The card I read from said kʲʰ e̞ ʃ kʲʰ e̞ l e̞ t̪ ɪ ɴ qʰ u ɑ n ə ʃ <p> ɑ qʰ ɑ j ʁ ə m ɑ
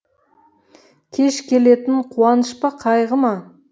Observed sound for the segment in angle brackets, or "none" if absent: p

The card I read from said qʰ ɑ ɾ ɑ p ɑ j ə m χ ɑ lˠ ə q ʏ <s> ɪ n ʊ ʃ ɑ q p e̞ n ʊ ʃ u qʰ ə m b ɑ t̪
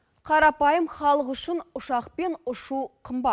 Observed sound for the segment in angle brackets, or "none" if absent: ʃ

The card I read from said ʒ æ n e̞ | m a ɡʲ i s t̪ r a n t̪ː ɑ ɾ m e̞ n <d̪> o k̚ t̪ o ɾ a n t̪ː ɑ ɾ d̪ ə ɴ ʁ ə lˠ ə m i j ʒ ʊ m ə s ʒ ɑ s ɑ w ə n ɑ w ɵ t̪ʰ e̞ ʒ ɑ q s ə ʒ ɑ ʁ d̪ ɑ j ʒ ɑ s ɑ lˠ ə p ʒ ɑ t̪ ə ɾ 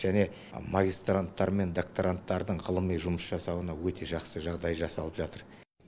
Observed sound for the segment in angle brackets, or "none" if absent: d̪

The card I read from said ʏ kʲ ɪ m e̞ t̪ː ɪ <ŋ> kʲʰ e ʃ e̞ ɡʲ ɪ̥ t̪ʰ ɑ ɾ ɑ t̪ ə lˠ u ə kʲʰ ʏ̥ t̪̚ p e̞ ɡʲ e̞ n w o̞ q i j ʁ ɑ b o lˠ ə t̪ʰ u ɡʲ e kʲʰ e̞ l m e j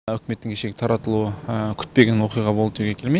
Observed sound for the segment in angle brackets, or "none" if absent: ŋ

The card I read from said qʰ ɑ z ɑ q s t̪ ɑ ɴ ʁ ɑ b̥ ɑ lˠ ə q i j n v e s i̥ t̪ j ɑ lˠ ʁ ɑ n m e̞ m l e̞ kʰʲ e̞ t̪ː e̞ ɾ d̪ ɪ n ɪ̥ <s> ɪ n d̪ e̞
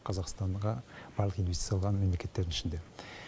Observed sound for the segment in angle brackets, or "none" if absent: ʃ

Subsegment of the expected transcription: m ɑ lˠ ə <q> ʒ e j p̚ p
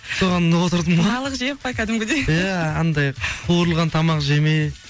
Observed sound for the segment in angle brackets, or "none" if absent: q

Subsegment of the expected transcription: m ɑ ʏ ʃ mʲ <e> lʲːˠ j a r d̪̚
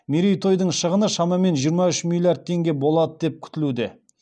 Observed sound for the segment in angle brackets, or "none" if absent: i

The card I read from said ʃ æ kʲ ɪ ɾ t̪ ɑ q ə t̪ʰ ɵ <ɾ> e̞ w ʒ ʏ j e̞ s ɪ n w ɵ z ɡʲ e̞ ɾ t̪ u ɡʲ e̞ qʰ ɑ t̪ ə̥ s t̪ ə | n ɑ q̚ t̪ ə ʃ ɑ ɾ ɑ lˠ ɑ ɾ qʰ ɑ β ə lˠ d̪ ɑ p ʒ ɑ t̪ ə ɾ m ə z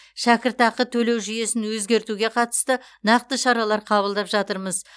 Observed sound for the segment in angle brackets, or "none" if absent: l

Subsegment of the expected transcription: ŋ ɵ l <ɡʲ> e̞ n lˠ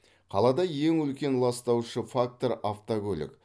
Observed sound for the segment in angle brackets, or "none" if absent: kʲ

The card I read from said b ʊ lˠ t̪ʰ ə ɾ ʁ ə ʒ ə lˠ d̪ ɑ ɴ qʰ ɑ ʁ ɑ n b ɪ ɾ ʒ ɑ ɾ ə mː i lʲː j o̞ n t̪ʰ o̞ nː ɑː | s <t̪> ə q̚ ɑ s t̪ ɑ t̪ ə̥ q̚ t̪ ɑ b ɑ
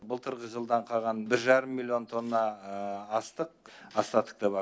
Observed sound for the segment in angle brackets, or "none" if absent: t̪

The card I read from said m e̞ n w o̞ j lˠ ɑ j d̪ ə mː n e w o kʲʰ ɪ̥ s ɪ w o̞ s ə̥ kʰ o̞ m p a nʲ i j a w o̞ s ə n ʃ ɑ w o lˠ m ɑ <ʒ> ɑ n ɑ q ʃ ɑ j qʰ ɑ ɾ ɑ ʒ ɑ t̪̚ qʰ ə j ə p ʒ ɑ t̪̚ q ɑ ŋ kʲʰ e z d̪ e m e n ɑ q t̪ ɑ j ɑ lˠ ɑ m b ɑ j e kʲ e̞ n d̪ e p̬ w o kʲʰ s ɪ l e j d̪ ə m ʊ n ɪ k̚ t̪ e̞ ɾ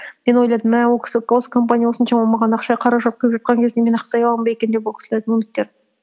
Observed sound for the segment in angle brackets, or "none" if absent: ʁ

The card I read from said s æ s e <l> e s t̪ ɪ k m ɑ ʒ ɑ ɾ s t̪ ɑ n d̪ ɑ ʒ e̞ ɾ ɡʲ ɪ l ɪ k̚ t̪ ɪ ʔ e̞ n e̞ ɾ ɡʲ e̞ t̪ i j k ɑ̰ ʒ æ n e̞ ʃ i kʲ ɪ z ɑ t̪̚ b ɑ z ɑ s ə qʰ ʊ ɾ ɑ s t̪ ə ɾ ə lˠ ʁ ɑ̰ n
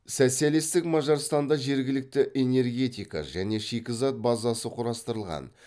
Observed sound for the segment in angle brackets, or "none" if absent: l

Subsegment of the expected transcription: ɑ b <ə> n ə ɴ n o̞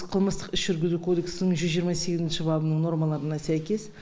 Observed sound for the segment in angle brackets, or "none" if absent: ə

